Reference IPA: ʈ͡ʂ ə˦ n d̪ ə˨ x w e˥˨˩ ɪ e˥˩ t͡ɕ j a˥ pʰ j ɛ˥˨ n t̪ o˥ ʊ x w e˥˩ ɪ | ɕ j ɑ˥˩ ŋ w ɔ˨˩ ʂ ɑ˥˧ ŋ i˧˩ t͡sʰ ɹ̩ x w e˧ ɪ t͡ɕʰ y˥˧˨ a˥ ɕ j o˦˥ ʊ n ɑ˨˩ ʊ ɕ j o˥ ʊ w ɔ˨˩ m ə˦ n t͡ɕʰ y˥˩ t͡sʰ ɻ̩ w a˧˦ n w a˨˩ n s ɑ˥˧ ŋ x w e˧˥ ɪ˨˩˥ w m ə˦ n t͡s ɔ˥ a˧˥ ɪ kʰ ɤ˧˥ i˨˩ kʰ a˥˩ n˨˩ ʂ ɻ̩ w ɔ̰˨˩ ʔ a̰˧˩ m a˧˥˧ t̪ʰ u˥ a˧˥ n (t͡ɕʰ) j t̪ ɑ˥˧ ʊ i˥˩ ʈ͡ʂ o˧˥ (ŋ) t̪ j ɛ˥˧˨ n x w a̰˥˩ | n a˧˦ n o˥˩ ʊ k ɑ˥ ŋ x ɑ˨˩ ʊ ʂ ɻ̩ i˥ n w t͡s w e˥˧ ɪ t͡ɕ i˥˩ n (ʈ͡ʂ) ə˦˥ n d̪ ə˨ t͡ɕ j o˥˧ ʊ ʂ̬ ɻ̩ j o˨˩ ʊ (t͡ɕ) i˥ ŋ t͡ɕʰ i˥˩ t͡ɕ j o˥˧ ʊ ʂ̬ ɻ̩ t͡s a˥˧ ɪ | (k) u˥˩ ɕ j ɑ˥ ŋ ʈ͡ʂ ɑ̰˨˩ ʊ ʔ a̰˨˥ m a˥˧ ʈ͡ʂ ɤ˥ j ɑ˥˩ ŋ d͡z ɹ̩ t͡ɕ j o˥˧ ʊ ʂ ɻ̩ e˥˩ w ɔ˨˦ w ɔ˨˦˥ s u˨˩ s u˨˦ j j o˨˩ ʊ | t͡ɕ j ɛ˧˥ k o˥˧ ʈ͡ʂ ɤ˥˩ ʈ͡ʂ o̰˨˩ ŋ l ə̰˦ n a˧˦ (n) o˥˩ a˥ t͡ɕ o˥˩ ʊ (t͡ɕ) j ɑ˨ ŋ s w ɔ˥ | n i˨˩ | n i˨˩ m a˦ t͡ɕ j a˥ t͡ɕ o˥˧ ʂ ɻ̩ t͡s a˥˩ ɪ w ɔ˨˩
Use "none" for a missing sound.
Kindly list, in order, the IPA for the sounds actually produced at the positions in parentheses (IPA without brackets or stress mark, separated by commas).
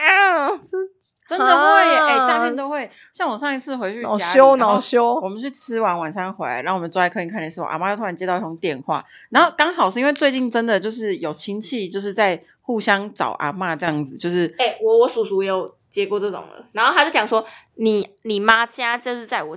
t͡ɕ, ŋ, ʈ͡ʂ, t͡ɕʰ, x, n, t͡ɕ